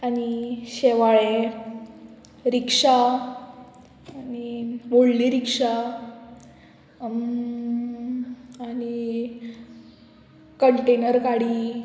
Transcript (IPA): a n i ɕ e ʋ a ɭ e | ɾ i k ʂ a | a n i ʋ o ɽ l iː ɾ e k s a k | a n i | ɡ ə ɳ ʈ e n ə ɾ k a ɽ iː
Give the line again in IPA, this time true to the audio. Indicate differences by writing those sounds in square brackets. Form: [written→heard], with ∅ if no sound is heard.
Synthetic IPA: a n i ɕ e ʋ a ɭ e | ɾ i k ʂ a | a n i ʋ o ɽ l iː ɾ [e→i] k [s→ʂ] a [k→∅] | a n i | [ɡ→k] ə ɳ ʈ e n ə ɾ k a ɽ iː